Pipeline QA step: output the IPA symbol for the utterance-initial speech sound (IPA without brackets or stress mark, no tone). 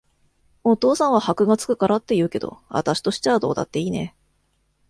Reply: o̞